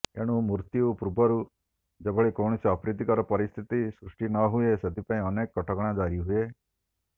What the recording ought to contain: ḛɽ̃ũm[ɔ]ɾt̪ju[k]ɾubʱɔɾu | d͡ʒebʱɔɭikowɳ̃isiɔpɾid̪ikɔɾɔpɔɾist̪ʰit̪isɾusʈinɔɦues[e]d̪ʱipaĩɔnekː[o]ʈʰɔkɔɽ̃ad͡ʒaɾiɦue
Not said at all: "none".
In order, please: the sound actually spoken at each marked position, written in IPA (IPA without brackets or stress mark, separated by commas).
u, p, e, ɔ